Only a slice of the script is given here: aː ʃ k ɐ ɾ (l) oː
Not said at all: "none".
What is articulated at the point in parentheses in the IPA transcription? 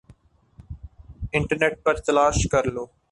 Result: l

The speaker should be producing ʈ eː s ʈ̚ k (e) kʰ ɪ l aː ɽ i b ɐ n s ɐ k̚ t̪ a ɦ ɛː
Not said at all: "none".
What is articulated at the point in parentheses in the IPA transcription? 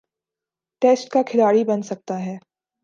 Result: a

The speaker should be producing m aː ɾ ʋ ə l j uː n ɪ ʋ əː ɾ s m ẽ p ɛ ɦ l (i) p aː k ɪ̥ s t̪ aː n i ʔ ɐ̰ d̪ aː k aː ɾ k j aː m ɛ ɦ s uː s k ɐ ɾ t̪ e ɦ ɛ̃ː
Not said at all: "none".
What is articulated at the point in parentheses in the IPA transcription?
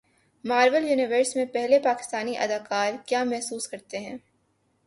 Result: e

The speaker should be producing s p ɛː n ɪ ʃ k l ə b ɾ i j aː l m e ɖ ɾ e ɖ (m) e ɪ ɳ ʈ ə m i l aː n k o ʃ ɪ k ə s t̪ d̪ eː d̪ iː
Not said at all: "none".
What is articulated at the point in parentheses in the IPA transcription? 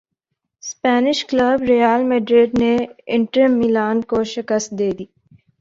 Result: n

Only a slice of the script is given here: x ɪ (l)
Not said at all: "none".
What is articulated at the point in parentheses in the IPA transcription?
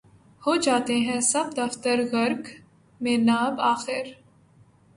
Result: ɾ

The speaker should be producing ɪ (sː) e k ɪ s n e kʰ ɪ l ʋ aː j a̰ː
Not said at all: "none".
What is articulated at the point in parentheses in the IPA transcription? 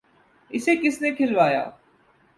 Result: s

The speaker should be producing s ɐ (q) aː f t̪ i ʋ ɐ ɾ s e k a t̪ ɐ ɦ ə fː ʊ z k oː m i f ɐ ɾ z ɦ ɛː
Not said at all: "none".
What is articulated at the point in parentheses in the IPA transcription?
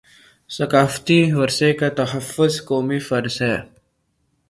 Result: k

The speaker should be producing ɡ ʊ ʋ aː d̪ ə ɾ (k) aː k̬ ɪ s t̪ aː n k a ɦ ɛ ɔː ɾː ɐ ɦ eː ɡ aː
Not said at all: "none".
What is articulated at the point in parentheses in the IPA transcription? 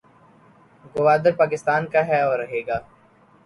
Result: p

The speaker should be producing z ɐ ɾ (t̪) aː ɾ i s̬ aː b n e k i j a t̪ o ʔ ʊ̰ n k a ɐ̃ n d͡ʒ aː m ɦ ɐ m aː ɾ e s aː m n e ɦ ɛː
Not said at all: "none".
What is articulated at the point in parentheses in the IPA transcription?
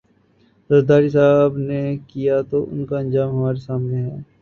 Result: d̪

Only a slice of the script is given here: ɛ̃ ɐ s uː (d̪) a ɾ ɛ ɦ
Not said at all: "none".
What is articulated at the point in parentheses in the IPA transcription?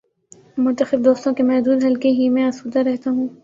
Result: d̪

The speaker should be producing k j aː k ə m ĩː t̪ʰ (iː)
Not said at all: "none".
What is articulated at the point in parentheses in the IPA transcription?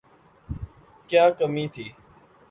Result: iː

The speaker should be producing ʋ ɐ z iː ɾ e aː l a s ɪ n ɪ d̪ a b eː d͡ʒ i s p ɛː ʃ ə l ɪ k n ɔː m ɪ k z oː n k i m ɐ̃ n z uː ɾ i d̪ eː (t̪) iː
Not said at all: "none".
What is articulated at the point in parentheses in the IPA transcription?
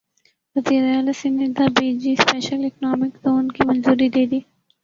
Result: d̪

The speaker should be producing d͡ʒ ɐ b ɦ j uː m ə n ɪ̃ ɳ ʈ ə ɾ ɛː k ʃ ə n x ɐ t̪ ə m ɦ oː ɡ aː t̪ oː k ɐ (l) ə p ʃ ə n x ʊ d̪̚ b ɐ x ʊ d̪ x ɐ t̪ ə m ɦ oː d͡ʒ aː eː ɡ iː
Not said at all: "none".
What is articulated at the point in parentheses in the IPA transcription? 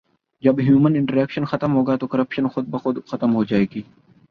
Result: ɾ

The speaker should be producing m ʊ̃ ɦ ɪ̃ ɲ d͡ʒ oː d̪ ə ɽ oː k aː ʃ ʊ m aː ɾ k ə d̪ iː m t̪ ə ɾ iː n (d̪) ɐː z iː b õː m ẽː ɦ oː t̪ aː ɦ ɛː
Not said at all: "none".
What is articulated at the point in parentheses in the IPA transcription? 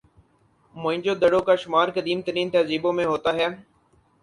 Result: t̪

